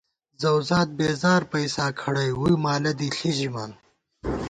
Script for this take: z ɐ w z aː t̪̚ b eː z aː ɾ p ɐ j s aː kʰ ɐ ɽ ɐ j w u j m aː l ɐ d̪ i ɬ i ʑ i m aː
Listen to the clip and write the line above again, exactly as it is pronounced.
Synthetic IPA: z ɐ w z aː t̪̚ b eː z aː ɾ p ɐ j s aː kʰ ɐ ɽ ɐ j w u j m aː l ɐ d̪ i ɬ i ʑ i m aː